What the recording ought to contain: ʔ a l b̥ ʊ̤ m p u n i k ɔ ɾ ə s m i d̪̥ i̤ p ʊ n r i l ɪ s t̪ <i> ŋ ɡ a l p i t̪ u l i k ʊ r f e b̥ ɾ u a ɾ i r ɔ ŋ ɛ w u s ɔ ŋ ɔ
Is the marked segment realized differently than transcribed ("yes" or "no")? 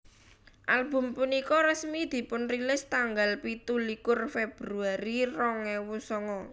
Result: yes